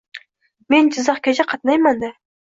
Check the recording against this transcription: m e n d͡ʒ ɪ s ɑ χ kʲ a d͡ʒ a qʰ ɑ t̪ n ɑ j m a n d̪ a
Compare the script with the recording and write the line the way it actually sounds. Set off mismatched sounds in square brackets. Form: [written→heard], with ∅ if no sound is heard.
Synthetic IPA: m e n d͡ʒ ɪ [s→z] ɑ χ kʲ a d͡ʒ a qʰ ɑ t̪ n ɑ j m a n d̪ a